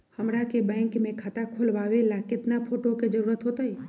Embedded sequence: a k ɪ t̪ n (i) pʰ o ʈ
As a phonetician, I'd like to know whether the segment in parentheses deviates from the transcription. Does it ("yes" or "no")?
yes